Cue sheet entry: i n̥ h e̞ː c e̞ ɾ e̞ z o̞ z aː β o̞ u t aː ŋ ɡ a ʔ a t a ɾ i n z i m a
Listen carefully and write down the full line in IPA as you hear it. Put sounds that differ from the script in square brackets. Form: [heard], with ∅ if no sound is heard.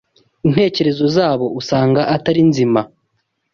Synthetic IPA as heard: i n̥ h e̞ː c e̞ ɾ e̞ z o̞ z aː β o̞ u [s] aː ŋ ɡ a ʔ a t a ɾ i n z i m a

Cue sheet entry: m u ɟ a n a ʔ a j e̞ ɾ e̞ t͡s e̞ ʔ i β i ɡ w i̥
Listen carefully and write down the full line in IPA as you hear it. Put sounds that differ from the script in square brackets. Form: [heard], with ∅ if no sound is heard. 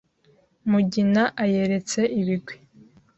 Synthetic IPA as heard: m u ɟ [i] n a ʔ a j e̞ ɾ e̞ t͡s e̞ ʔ i β i ɡ w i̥

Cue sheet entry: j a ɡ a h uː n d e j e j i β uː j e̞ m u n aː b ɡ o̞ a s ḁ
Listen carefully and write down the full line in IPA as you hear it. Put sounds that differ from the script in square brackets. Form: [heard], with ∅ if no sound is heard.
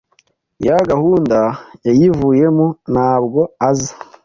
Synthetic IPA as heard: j a ɡ a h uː n d [a] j [a] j i [v] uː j e̞ m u n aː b ɡ o̞ a [z] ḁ

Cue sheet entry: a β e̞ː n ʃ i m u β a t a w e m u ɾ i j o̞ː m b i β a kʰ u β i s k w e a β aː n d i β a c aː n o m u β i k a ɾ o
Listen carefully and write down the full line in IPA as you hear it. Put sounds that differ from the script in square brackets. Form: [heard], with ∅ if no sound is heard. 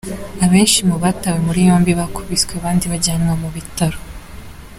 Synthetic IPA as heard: a β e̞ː n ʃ i m u β a t a w e m u ɾ i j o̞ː m b i β a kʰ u β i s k w e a β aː n d i β a [ɟ] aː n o m u β i [t] a ɾ o

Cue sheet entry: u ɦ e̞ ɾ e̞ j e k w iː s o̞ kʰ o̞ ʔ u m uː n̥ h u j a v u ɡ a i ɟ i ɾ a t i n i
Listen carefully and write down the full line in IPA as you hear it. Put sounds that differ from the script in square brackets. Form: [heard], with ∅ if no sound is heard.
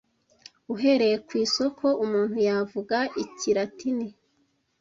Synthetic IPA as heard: u ɦ e̞ ɾ e̞ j e k w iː s o̞ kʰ o̞ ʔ u m uː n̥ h u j a v u ɡ a i [c] i ɾ a t i n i

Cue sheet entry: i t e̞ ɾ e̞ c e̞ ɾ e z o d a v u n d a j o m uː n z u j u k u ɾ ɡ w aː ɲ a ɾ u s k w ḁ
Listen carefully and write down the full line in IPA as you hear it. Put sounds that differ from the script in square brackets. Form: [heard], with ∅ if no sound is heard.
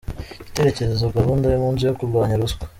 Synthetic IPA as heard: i t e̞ ɾ e̞ c e̞ ɾ e z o [ɡ] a [β] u n d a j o m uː n z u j [o] k u ɾ ɡ w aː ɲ a ɾ u s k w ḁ

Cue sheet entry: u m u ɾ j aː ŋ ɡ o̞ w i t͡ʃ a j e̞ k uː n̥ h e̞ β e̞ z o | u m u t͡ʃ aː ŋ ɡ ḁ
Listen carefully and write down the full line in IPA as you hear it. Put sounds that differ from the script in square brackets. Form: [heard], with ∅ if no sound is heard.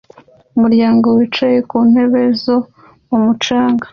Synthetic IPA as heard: u m u ɾ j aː ŋ ɡ o̞ w i t͡ʃ a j e̞ k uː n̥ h e̞ β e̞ z o | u m u t͡ʃ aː ŋ ɡ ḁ

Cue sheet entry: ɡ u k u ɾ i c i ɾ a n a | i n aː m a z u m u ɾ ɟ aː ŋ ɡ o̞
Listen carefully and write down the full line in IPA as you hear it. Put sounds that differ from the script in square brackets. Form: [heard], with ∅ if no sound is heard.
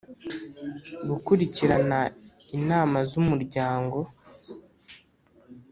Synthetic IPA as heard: ɡ u k u ɾ i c i ɾ a n a | i n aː m a z u m u ɾ ɟ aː ŋ ɡ o̞

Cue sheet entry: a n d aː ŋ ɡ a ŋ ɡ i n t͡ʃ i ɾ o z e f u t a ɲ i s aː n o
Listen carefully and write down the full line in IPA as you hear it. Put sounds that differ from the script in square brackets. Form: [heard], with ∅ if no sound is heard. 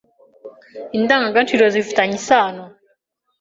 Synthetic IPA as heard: [i] n d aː ŋ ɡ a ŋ ɡ [a] n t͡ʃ i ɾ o z [i] f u t a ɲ i s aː n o

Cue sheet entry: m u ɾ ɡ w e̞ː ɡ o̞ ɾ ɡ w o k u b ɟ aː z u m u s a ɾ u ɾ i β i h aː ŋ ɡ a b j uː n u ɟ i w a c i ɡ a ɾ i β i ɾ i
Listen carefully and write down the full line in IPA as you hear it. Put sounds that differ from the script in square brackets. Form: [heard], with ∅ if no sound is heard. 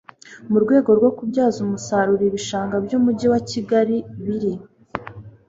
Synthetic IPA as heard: m u ɾ ɡ w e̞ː ɡ o̞ ɾ ɡ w o k u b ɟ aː z u m u s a ɾ u ɾ i β i [ʃ] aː ŋ ɡ a b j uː [m] u ɟ i w a c i ɡ a ɾ i β i ɾ i

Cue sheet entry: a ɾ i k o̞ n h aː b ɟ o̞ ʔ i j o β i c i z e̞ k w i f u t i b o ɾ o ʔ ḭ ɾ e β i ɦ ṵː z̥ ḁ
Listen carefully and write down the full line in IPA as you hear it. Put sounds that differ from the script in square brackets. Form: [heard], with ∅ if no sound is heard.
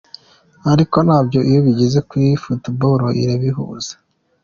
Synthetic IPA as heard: a ɾ i k o̞ n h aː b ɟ o̞ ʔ i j o β i [ɟ] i z e̞ k w i f u t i b o ɾ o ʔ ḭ ɾ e β i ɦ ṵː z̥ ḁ

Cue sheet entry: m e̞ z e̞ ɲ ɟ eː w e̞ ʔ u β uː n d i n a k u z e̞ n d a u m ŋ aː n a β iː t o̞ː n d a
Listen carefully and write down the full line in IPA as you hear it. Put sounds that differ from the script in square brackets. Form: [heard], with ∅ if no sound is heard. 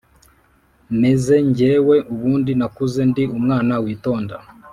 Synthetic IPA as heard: m e̞ z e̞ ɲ ɟ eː w e̞ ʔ u β uː n d i n a k u z e̞ n d [i] u m ŋ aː n a [w] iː t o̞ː n d a

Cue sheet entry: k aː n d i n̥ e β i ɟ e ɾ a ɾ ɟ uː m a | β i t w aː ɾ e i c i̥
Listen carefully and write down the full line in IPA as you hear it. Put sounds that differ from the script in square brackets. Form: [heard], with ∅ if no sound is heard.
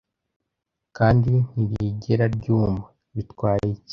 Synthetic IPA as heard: k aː n d i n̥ [i] β i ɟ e ɾ a ɾ ɟ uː m a | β i t w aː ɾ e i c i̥

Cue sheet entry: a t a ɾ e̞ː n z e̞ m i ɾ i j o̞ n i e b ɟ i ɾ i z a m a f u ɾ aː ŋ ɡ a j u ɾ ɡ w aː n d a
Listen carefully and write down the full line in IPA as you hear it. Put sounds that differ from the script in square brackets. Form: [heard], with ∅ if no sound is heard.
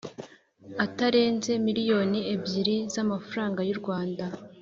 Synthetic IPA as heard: a t a ɾ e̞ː n z e̞ m i ɾ i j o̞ n i e b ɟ i ɾ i z a m a f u ɾ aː ŋ ɡ a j u ɾ ɡ w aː n d a

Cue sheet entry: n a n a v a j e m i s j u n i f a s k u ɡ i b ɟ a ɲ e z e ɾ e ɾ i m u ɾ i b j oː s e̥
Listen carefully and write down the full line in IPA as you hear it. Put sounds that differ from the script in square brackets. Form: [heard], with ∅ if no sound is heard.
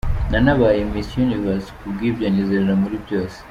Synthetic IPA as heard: n a n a [β] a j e m i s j u n i [v] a s k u ɡ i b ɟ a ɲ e z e ɾ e ɾ [a] m u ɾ i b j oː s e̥

